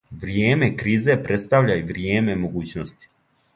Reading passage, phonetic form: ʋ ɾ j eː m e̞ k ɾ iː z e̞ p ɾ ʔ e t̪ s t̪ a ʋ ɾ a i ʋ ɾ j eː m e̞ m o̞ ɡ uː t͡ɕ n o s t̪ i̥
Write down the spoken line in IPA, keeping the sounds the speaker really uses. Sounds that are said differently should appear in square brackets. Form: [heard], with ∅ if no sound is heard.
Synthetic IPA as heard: ʋ ɾ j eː m e̞ k ɾ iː z e̞ p ɾ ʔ e t̪ s t̪ a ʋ [ʎ] a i ʋ ɾ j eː m e̞ m o̞ ɡ uː t͡ɕ n o s t̪ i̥